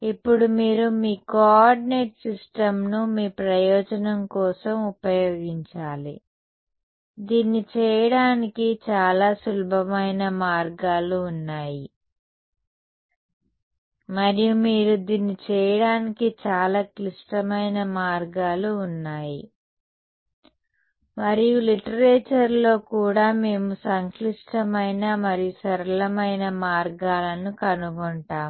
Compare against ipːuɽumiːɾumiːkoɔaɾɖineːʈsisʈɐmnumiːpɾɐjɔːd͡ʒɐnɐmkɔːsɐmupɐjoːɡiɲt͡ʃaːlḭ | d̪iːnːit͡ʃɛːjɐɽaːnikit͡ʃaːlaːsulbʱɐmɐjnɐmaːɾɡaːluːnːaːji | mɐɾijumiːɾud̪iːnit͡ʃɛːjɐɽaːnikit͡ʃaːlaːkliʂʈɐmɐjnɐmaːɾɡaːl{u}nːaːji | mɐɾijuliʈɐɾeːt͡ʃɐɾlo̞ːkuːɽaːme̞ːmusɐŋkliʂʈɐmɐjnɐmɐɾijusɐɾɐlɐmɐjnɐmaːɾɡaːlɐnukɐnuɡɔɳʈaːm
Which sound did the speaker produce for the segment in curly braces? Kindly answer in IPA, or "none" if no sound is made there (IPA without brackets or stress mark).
uː